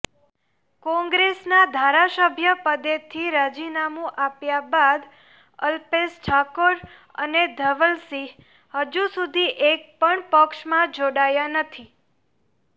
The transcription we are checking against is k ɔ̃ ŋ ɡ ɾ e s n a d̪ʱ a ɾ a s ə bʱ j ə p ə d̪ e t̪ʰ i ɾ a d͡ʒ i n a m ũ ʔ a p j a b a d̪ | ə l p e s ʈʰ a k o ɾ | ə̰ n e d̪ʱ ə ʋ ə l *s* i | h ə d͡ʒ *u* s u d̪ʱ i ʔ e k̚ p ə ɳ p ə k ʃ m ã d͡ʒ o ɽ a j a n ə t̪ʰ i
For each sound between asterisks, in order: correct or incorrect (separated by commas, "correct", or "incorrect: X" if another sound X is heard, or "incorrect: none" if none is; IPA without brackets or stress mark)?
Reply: correct, correct